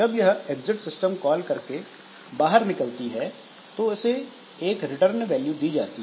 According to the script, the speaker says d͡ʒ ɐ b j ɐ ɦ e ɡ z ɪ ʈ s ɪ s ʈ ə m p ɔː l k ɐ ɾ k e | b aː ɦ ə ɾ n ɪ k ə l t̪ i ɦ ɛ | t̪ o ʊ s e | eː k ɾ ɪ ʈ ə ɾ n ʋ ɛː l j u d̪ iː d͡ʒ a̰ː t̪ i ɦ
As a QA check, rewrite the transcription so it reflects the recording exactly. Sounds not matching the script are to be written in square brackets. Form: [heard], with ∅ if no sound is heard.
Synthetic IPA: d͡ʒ ɐ b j ɐ ɦ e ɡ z ɪ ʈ s ɪ s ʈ ə m [k] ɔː l k ɐ ɾ k e | b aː ɦ ə ɾ n ɪ k ə l t̪ i ɦ ɛ | t̪ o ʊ s e | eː k ɾ ɪ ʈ ə ɾ n ʋ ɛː l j u d̪ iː d͡ʒ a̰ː t̪ i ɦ